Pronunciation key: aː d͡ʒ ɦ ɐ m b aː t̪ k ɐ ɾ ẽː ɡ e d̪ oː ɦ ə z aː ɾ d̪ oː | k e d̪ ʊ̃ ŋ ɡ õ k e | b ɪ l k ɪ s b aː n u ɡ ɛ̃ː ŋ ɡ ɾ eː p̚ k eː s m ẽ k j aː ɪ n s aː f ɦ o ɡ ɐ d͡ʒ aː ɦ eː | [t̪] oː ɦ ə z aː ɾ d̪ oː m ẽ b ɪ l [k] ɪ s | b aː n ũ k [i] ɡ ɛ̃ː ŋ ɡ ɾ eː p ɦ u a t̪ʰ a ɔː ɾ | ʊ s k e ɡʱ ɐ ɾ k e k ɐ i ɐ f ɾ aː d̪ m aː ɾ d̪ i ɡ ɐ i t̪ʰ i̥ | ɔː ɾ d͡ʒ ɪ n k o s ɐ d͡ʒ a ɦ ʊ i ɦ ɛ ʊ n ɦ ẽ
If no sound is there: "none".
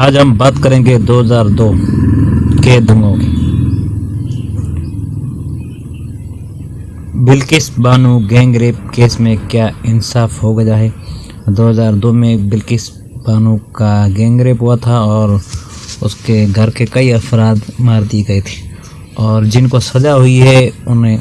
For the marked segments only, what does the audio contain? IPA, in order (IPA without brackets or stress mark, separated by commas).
d̪, k, a